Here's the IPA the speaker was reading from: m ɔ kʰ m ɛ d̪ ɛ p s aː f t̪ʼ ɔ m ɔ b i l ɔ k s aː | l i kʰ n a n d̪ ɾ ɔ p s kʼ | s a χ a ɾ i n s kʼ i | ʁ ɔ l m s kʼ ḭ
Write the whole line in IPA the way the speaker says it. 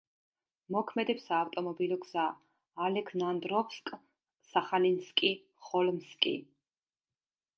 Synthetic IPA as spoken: m ɔ kʰ m ɛ d̪ ɛ p s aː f t̪ʼ ɔ m ɔ b i l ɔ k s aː | l ɛ kʰ n a n d̪ ɾ ɔ p s kʼ | s a χ a l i n s kʼ i | χ ɔ l m s kʼ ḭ